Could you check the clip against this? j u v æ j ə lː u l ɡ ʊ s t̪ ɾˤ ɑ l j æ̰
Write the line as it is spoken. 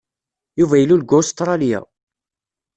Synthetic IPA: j u v æ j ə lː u l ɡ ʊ s t̪ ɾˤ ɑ l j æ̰

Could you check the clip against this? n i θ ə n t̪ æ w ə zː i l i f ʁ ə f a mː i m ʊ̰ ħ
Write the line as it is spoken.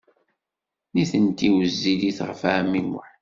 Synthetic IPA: n i θ ə n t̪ i w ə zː i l i θ ʁ ə f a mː i m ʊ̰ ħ

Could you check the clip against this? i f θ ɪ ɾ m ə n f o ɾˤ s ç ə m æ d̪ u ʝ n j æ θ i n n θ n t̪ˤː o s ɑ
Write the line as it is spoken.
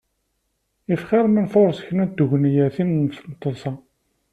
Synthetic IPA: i f χ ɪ ɾ m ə n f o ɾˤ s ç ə n æ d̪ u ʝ n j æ θ i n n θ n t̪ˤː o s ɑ

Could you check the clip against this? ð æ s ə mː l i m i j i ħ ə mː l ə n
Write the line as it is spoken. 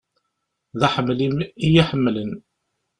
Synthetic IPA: ð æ ħ ə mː l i m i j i ħ ə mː l ə n

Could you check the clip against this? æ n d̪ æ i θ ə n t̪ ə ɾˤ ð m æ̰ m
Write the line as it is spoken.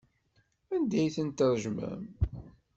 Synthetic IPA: æ n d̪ æ j θ ə n t̪ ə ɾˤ ʒ m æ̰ m

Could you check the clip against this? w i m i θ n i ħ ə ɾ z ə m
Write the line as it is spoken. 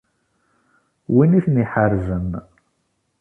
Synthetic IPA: w i n i θ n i ħ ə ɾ z ə n

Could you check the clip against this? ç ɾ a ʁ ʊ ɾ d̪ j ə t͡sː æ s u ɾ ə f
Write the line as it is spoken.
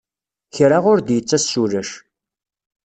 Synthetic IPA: ç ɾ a ʁ ʊ ɾ d̪ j ə t͡sː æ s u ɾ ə ʃ

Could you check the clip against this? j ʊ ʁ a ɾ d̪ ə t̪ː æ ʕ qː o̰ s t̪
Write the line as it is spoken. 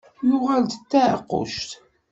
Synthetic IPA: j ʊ ʁ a l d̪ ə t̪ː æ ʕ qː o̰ ʃ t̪

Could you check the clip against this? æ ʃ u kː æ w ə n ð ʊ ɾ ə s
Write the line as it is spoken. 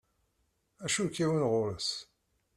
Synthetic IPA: æ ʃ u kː i w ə n ʁ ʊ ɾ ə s

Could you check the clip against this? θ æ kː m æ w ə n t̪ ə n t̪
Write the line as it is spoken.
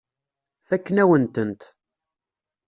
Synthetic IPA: θ æ kː n æ w ə n t̪ ə n t̪

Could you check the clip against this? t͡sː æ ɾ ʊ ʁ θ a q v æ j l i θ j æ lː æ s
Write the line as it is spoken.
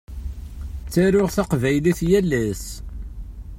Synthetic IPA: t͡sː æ ɾ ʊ ʁ θ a q v æ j l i θ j æ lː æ s

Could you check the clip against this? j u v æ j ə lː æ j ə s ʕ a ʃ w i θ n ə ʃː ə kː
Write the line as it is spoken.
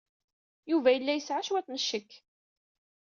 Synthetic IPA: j u v æ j ə lː æ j ə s ʕ a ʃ w æ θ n ə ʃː ə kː

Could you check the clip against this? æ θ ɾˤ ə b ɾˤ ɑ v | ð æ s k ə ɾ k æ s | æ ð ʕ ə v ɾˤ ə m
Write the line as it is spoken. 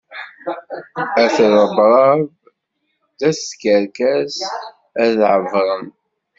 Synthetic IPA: æ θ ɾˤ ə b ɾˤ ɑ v | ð æ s k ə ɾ k æ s | æ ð ʕ ə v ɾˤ ə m

